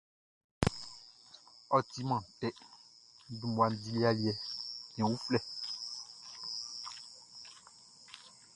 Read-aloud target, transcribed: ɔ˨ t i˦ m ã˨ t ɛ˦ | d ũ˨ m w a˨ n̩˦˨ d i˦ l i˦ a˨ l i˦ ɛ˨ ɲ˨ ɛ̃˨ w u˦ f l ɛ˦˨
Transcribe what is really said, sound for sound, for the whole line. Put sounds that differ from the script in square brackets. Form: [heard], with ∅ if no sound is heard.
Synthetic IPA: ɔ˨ t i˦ m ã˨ t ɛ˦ | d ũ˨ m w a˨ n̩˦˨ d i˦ l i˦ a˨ l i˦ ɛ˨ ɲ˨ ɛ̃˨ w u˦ f l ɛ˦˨